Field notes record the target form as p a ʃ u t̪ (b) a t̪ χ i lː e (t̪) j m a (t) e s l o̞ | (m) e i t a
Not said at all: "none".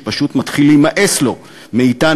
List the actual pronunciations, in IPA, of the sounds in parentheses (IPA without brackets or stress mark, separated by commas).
m, none, ʔ, m